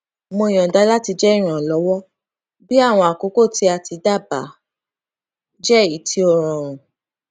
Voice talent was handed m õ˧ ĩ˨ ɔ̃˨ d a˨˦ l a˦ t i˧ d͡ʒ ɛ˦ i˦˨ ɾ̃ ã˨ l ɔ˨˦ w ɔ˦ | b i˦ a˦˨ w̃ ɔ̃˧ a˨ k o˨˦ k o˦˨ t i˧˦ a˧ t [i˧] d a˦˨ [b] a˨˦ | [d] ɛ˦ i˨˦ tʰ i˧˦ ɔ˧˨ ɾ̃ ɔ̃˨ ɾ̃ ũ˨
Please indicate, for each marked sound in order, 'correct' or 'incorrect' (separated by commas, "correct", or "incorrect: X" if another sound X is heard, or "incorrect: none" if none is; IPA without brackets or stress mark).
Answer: correct, correct, incorrect: d͡ʒ